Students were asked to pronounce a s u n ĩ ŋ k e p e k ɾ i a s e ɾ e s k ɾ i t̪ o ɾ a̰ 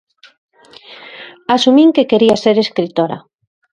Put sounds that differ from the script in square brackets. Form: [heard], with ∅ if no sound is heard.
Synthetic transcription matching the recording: a s u [m] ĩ ŋ k e [k] e [∅] ɾ i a s e ɾ e s k ɾ i t̪ o ɾ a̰